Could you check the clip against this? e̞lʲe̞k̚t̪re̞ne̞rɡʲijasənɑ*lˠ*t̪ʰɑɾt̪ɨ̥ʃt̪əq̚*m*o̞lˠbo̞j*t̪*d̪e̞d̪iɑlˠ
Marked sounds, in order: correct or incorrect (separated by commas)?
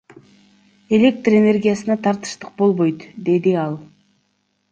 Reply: incorrect, incorrect, correct